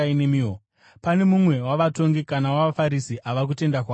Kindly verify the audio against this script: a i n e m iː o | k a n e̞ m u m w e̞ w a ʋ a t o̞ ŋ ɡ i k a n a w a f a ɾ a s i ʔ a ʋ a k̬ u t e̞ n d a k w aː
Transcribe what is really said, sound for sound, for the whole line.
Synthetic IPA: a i n e m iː o | p a n e̞ m u m w e̞ w a ʋ a t o̞ ŋ ɡ i k a n a w a f a ɾ i s i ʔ a ʋ a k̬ u t e̞ n d a k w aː